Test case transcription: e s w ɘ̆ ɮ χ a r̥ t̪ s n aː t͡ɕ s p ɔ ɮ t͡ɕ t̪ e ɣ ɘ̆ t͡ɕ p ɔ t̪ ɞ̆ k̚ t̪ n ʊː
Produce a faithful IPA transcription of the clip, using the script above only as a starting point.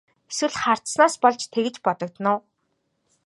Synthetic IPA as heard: e s w ɘ̆ ɮ χ a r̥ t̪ s n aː s p ɔ ɮ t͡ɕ t̪ʰ e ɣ ɘ̆ t͡ɕ p ɔ t̪ ɞ̆ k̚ t̪ n ʊː